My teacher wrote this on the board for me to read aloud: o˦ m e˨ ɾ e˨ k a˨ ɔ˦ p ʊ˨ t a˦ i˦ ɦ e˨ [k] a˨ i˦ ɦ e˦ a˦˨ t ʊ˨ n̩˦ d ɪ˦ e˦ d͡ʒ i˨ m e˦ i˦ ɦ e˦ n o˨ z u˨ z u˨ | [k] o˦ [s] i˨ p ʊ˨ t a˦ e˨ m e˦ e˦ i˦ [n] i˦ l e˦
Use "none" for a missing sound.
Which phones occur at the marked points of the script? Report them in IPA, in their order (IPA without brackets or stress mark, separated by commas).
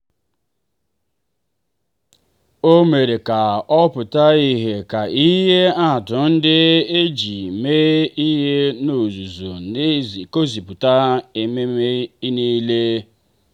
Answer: k, k, z, n